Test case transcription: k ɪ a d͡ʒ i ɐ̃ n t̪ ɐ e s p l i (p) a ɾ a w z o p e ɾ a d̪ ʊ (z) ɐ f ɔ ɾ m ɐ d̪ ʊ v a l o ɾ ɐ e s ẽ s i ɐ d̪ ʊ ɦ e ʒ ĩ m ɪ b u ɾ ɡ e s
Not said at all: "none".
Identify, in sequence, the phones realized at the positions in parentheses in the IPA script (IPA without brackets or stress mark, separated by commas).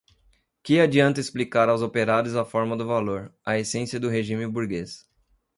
k, z